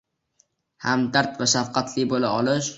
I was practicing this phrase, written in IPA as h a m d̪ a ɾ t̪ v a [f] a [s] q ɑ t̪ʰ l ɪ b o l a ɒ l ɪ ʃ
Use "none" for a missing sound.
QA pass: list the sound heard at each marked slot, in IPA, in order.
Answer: ʃ, f

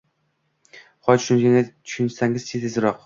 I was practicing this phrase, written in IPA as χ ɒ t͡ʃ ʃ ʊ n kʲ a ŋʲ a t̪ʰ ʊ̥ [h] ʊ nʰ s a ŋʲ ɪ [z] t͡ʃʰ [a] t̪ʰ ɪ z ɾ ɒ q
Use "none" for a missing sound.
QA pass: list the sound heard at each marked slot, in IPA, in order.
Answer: ʃ, z, e

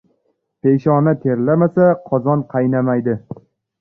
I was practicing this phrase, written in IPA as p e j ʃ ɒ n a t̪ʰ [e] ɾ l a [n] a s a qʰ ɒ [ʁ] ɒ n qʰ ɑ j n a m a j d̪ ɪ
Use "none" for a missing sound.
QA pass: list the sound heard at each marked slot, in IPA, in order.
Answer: e, m, z

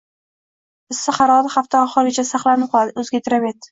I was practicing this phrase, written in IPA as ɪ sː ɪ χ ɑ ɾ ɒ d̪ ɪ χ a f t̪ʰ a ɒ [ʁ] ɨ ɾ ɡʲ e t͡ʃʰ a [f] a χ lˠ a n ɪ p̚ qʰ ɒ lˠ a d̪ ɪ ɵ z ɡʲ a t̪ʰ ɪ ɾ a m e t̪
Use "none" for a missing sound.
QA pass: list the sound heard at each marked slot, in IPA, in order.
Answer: χ, s

